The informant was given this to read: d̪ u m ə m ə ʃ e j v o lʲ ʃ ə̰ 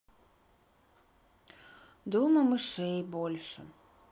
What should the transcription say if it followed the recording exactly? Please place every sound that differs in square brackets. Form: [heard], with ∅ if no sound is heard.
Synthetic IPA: d̪ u m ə m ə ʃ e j [b] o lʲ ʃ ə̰